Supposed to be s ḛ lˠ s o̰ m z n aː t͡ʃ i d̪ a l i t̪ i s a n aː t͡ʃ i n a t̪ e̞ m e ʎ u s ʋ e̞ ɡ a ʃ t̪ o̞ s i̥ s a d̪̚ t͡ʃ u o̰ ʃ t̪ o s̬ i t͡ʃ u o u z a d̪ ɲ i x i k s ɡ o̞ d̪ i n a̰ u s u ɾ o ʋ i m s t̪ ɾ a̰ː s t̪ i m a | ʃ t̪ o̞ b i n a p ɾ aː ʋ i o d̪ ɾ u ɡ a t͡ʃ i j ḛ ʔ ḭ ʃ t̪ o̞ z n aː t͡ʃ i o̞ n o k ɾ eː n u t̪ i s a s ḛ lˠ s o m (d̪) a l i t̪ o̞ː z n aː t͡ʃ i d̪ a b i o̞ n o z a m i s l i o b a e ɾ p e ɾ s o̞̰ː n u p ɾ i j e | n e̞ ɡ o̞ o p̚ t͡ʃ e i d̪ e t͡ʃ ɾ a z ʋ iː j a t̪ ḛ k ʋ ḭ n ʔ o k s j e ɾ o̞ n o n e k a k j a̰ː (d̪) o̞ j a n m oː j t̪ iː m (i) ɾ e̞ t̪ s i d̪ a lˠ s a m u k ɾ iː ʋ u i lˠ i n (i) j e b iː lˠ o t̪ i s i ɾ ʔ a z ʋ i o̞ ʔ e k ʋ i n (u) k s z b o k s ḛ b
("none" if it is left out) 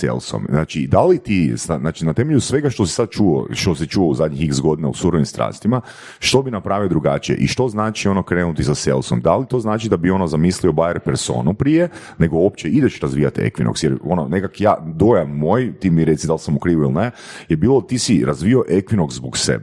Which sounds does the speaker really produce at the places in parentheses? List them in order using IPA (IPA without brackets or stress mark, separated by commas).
d̪, d̪, i, e, o